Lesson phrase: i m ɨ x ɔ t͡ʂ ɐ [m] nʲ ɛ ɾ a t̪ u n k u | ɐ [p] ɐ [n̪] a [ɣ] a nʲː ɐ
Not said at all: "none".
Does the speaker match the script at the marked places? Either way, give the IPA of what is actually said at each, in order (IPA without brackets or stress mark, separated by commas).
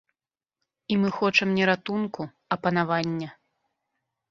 m, p, n̪, v